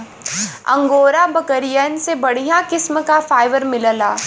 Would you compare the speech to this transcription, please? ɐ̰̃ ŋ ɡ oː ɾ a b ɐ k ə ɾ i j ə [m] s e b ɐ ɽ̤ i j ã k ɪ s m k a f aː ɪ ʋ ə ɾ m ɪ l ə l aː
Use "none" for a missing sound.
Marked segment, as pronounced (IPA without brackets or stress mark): n